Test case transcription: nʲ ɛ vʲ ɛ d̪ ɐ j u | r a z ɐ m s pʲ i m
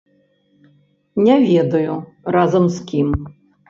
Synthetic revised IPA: nʲ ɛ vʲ ɛ d̪ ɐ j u | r a z ɐ m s kʲ i m